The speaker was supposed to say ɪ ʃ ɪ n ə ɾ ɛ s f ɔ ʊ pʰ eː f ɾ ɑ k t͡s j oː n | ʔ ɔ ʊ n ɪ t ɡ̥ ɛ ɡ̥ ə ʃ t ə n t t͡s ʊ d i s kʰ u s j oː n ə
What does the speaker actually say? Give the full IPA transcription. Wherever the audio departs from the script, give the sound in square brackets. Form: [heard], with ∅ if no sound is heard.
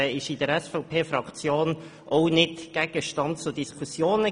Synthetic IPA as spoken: ɪ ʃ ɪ [d] ə ɾ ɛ s f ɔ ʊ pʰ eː f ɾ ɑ k t͡s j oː n | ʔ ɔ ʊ n ɪ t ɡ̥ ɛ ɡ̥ ə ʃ t [ɑ] n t t͡s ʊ d i s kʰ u s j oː n ə